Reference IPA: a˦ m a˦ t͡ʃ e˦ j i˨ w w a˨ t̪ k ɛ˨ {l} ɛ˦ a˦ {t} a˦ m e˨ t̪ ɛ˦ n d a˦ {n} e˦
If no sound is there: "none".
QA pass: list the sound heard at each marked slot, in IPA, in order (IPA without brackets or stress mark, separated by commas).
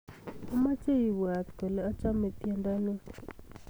l, t͡ʃ, n